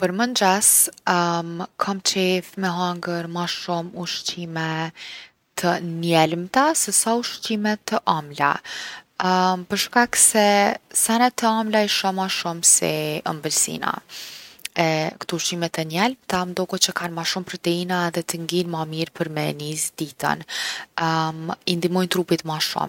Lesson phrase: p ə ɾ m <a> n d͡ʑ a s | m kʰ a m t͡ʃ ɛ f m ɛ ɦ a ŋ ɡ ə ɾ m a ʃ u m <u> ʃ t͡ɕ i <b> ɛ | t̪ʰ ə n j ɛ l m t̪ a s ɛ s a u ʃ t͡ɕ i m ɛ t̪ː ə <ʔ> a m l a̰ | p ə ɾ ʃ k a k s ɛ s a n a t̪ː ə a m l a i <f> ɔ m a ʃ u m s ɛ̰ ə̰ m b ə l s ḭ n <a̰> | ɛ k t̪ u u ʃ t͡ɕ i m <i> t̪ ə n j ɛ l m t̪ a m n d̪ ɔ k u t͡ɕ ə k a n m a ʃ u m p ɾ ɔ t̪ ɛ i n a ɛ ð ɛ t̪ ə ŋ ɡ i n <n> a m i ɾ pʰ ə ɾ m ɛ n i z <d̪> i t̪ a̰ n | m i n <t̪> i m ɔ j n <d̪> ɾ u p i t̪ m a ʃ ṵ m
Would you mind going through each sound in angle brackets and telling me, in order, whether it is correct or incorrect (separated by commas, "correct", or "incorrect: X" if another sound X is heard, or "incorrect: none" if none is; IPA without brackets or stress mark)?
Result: incorrect: ə, correct, incorrect: m, correct, incorrect: ʃ, correct, incorrect: ɛ, incorrect: m, correct, incorrect: d̪, incorrect: t̪